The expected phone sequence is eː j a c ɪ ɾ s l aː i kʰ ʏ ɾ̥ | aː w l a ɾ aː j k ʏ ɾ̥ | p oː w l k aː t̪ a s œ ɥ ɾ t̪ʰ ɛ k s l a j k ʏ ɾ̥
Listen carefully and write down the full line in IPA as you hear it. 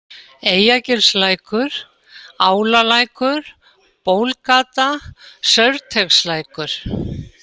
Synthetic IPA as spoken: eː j a c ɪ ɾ s l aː j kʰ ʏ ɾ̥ | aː w l a l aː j k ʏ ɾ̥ | p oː w l k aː t̪ a s œ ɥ ɾ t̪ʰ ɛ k s l a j k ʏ ɾ̥

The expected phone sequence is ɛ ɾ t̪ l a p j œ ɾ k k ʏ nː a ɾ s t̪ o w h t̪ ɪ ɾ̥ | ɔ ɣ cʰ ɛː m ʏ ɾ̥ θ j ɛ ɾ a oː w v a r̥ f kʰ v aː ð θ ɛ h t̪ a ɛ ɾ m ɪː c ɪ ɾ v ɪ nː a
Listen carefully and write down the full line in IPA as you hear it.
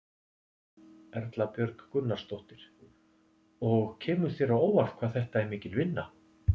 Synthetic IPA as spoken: ɛ ɾ t̪ l a p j œ ɾ k k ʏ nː a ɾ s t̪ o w h t̪ ɪ ɾ̥ | ɔ ɣ cʰ ɛː m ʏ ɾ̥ θ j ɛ ɾ a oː w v a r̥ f kʰ v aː ð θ ɛ h t̪ a ɛ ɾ m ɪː c ɪ l v ɪ nː a

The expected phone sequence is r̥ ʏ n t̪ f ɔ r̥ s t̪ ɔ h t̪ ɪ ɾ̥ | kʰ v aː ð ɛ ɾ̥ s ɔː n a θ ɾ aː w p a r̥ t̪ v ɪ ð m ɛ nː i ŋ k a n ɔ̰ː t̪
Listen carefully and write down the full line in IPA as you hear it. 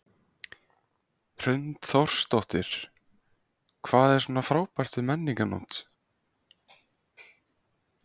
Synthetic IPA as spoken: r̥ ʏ n t̪ θ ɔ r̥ s t̪ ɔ h t̪ ɪ ɾ̥ | kʰ v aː ð ɛ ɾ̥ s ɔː n a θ ɾ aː w p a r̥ t̪ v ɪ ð m ɛ nː i ŋ k a n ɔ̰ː t̪

